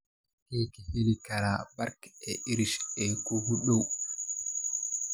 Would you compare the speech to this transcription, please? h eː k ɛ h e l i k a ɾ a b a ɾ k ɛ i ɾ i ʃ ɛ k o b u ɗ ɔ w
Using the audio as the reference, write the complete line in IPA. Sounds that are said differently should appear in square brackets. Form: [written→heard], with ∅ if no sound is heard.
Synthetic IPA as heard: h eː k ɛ h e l i k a ɾ a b a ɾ k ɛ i ɾ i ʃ ɛ k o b u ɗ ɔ w